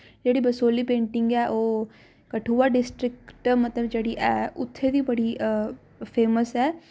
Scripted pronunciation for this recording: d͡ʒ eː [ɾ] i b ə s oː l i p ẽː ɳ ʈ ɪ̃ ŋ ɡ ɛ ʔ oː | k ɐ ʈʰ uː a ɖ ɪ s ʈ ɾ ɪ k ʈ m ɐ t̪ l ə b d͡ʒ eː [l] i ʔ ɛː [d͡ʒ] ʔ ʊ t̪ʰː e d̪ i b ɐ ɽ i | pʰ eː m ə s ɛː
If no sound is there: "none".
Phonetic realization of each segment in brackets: ɽ, ɽ, none

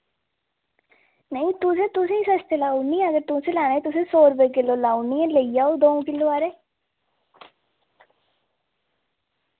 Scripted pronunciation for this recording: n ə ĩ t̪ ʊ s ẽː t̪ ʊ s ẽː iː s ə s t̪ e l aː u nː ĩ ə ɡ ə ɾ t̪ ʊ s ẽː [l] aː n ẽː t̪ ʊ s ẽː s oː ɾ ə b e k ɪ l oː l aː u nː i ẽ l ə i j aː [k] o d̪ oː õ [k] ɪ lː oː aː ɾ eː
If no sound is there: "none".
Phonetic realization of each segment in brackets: l, none, k

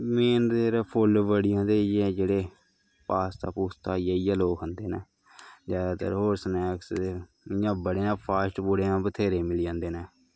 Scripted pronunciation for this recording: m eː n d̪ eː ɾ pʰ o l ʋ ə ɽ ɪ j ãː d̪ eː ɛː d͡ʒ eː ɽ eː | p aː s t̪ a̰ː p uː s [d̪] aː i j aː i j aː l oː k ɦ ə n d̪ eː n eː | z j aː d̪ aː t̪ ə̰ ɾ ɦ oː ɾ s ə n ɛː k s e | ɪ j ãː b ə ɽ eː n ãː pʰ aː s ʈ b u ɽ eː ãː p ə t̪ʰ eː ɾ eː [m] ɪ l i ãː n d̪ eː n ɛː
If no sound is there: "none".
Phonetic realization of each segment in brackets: t̪, m

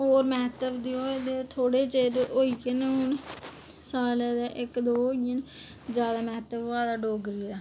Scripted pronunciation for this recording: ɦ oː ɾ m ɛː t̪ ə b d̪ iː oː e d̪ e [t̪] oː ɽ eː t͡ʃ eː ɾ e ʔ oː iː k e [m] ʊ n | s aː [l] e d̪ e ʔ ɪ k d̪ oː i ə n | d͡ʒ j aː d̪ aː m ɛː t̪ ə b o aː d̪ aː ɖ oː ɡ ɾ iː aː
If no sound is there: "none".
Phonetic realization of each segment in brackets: t̪ʰ, n, l

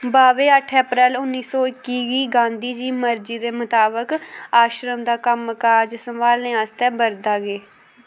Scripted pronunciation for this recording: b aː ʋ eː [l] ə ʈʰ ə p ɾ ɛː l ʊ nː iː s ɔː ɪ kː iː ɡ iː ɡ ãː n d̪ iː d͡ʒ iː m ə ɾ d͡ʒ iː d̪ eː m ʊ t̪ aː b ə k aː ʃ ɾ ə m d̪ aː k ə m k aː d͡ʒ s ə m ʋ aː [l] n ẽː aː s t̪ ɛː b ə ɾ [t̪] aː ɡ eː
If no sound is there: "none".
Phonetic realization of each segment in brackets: none, l, d̪

